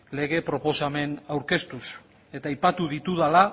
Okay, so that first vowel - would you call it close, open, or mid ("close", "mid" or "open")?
mid